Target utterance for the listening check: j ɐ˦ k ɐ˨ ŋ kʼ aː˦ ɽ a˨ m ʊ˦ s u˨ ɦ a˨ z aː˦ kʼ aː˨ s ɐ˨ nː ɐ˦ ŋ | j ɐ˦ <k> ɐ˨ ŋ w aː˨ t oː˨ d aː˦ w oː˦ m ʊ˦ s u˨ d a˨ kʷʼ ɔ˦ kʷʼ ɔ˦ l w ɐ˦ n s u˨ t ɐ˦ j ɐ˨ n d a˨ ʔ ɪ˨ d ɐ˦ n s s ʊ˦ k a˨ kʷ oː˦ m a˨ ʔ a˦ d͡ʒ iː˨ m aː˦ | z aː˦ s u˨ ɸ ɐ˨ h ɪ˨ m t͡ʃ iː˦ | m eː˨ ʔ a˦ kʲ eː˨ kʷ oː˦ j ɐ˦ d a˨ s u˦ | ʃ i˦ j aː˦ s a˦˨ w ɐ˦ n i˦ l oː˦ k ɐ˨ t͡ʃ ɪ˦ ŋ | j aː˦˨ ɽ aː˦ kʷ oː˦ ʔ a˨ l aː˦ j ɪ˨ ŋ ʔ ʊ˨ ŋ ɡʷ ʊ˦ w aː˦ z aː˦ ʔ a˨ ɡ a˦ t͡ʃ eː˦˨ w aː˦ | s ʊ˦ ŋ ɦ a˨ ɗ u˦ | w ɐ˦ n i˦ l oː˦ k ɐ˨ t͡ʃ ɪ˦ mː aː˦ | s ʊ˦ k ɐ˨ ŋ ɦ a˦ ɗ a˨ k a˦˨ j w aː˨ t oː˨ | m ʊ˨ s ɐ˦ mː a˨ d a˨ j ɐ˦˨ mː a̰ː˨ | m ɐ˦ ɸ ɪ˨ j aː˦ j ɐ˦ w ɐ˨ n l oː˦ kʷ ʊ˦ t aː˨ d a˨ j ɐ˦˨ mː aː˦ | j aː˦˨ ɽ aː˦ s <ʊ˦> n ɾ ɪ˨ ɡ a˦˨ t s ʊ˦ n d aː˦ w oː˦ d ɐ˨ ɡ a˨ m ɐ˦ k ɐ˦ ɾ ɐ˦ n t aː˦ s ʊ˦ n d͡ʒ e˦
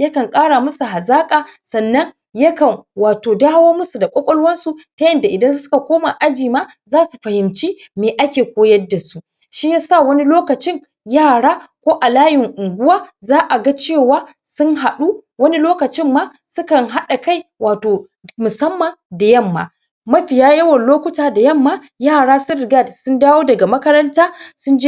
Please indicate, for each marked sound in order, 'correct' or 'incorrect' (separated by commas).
correct, correct